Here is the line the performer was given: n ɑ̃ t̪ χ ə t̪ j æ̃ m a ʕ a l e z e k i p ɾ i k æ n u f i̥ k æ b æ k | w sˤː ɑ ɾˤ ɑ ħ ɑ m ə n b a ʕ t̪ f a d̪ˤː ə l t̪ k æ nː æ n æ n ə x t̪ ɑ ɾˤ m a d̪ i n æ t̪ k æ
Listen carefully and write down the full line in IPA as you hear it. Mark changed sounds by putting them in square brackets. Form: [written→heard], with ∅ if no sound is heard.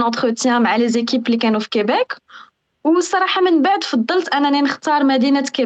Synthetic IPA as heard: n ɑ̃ t̪ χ ə t̪ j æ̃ m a ʕ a l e z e k i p [ɾ→l] i k æ n u f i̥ k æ b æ k | w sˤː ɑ ɾˤ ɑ ħ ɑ m ə n b a ʕ [t̪→d̪] f [a→ɑ] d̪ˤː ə l t̪ [k→ʔ] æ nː æ n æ n ə x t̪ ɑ ɾˤ m [a→æ] d̪ i n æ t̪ k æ